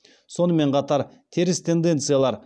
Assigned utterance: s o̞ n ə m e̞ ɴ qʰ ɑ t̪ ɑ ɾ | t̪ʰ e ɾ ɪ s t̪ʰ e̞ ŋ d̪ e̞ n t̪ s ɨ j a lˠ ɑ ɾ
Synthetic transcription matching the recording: s o̞ n ə m e̞ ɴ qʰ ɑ t̪ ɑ ɾ | t̪ʰ e ɾ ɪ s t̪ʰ e̞ n d̪ e̞ n t̪ s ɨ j a lˠ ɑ ɾ